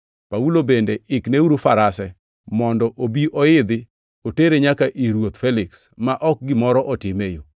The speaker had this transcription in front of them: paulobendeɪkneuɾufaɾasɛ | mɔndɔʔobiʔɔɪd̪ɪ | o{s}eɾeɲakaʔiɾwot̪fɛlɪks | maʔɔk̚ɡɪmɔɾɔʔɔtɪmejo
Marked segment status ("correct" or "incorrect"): incorrect